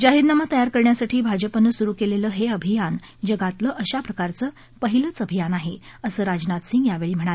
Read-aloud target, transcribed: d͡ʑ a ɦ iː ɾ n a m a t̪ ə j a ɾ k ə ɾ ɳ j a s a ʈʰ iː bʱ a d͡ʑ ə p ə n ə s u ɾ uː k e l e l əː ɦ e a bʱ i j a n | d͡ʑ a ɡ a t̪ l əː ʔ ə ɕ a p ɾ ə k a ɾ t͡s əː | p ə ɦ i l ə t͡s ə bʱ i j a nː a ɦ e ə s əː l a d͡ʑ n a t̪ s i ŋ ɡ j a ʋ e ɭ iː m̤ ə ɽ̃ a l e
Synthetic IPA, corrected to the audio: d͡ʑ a ɦ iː ɾ n a m a t̪ ə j a ɾ k ə ɾ ɳ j a s a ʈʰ iː bʱ a d͡ʑ ə p ə n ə s u ɾ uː k e l e l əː ɦ e ə bʱ i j a n | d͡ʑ ə ɡ a t̪ l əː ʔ ə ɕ a p ɾ ə k a ɾ t͡s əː | p ə ɦ i l ə t͡s ə bʱ i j a n a ɦ e ə s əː ɾ a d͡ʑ n a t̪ s i ŋ ɡ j a ʋ e ɭ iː m̤ ə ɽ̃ a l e